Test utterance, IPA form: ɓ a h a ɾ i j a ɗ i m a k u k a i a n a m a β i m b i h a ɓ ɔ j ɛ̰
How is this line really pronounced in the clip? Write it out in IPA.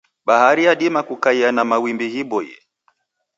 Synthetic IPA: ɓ a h a ɾ i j a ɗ i m a k u k a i a n a m a w i m b i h i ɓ ɔ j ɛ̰

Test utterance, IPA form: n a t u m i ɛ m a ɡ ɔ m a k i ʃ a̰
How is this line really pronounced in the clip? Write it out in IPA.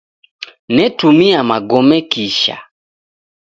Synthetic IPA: n ɛ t u m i a m a ɡ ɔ m ɛ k i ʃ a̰

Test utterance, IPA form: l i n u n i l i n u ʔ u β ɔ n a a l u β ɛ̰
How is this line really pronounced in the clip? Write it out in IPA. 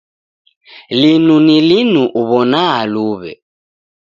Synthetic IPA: l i n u n i l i n u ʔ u β ɔ n a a l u β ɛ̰

